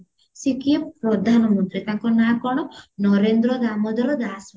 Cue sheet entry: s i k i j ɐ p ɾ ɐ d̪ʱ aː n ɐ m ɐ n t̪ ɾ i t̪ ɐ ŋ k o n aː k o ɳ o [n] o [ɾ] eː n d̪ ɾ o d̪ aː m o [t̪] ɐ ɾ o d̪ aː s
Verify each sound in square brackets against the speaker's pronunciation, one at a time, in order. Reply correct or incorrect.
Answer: correct, correct, incorrect: d̪

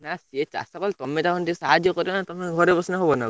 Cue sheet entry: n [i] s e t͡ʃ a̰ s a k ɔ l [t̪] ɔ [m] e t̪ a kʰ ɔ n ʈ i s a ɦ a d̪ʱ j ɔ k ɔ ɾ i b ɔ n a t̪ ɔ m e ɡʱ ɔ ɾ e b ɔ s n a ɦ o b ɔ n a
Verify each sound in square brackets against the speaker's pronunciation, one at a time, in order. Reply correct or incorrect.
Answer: incorrect: a, correct, correct

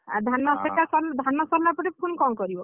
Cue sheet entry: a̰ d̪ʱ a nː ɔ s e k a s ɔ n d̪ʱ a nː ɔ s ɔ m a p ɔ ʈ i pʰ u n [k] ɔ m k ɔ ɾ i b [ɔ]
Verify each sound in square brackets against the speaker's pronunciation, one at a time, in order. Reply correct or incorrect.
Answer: correct, correct

